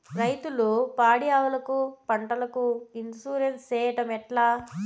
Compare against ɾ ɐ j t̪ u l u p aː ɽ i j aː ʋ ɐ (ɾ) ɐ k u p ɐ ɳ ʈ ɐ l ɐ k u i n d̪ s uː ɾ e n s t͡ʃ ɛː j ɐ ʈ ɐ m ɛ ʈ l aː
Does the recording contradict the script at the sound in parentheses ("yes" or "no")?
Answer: yes